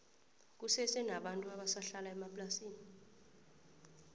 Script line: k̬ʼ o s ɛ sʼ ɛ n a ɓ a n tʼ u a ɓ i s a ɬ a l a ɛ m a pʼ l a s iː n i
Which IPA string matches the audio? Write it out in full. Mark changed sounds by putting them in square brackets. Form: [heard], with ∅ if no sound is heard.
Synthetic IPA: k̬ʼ [u] s ɛ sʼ ɛ n a ɓ a n tʼ u a ɓ [a] s a ɬ a l a ɛ m a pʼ l a s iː n i